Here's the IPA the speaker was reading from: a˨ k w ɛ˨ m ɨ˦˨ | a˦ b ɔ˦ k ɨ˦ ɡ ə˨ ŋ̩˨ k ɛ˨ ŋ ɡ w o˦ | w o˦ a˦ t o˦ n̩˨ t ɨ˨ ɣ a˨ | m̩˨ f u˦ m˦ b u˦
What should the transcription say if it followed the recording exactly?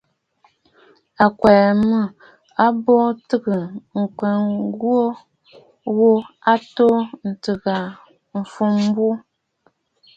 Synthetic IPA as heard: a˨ k w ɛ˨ m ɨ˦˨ | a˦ b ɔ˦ t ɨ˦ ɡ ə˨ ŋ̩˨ k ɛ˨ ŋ ɡ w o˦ | w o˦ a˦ t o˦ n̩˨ t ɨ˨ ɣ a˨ | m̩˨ f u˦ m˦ b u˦